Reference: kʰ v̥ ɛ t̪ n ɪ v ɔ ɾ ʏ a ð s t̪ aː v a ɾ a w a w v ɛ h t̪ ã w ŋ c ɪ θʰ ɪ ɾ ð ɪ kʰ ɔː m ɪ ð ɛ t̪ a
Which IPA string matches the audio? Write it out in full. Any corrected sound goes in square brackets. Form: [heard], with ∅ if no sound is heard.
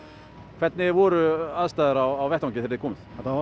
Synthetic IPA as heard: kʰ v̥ ɛ t̪ n ɪ v ɔ ɾ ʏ a ð s t̪ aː [ð] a ɾ a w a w v ɛ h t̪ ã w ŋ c ɪ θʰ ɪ ɾ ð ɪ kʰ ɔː m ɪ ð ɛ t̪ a